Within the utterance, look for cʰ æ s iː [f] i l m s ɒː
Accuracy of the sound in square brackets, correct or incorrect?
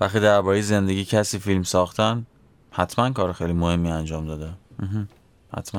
correct